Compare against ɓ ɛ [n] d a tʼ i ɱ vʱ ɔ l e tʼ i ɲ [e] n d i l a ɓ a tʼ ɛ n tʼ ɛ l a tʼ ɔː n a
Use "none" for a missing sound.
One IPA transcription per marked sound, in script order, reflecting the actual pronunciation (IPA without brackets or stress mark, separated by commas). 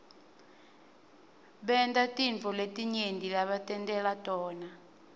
n, e